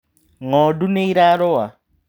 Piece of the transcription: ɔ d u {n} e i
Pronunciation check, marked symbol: correct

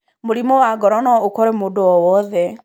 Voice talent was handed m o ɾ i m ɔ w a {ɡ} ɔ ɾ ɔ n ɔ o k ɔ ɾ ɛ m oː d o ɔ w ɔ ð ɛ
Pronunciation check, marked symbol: correct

